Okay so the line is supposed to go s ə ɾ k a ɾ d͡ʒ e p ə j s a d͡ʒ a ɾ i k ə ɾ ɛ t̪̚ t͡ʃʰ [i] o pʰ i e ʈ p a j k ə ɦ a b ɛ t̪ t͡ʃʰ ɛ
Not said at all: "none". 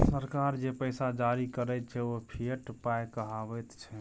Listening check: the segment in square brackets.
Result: ɛ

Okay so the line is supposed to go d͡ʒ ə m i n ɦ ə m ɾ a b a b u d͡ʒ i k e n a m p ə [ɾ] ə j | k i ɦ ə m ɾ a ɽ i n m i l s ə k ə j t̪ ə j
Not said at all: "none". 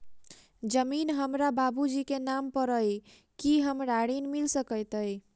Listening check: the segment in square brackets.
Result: ɾ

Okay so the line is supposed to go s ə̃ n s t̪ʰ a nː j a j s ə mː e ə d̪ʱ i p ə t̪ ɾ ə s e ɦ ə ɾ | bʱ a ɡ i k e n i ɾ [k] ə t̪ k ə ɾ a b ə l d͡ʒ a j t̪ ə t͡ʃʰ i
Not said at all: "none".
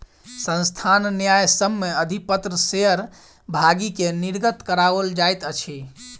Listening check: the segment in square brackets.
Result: ɡ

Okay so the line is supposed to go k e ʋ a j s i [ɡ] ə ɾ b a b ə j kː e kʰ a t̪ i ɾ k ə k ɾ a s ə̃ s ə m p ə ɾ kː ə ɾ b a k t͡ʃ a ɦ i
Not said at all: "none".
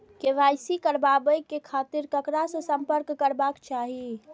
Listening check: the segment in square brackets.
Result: k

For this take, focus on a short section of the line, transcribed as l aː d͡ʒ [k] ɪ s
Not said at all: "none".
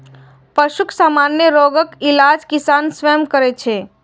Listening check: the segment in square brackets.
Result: k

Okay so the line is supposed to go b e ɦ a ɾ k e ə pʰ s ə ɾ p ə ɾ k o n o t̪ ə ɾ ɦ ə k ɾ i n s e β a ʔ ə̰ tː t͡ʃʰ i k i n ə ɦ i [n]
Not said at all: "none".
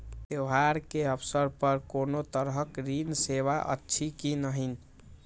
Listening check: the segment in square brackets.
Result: n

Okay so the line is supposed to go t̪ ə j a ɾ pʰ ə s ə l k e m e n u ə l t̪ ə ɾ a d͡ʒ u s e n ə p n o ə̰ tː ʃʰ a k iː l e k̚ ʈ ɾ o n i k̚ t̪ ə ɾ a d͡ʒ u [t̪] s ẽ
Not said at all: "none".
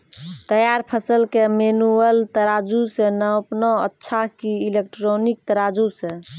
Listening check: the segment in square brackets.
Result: none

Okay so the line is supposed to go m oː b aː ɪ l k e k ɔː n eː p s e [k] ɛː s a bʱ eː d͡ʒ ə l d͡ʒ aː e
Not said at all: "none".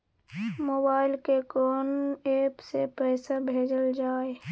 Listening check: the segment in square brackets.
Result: p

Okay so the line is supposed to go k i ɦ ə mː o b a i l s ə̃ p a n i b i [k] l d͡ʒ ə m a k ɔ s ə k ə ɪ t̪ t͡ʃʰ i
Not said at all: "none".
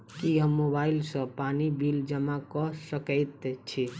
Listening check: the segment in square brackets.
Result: none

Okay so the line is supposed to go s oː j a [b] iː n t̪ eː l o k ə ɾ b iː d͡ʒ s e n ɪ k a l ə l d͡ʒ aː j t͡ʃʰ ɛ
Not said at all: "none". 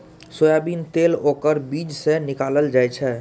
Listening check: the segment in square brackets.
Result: b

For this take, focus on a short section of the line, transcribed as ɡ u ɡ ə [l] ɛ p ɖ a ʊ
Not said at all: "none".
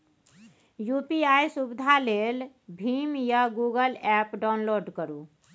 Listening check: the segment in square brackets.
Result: l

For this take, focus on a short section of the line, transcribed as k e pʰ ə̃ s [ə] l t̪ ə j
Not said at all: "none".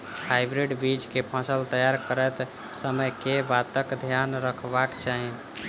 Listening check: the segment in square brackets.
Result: ə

